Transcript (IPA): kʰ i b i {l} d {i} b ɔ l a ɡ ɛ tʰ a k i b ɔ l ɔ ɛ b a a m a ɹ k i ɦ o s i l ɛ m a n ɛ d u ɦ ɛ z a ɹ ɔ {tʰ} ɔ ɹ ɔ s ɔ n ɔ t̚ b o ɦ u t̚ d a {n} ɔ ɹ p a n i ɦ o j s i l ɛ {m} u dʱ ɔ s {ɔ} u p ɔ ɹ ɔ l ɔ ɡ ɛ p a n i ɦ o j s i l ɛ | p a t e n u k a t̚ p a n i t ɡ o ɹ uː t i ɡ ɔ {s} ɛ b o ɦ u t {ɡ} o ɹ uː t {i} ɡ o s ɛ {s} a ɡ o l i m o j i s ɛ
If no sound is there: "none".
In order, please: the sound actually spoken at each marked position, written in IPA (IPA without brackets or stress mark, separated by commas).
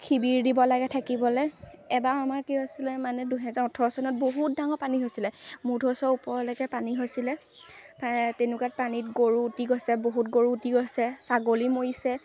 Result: ɹ, i, tʰ, ŋ, m, ɔ, s, ɡ, i, s